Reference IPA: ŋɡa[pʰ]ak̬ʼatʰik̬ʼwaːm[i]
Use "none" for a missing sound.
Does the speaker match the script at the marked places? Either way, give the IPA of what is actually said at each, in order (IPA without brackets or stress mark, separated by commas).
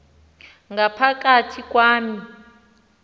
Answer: pʰ, i